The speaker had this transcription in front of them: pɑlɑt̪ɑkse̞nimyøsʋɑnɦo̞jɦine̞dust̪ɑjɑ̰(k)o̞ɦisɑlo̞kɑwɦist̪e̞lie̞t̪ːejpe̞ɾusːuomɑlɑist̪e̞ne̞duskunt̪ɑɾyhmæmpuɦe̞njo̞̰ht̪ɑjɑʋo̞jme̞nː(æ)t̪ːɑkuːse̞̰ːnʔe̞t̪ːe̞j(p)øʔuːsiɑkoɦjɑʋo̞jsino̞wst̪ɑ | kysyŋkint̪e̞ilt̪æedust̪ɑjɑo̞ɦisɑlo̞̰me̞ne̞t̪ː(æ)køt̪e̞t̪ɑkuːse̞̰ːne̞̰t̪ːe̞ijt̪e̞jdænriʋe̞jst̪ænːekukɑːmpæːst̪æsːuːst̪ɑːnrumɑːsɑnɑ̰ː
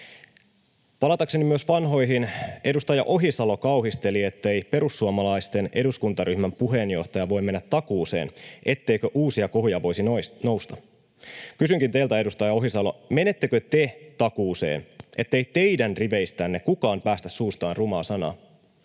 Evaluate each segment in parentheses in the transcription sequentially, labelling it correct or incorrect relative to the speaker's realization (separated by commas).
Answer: incorrect, correct, incorrect, incorrect